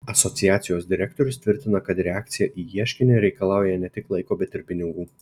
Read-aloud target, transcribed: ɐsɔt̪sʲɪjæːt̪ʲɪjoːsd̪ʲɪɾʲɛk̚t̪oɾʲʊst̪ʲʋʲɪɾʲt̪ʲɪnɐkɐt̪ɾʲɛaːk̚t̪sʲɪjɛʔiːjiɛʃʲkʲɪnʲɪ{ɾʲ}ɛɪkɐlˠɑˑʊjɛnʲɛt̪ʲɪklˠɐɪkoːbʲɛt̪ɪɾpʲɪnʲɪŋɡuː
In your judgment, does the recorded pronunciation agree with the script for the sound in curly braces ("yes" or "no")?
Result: yes